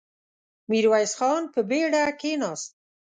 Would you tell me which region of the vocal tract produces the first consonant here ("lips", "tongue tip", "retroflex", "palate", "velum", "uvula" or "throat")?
lips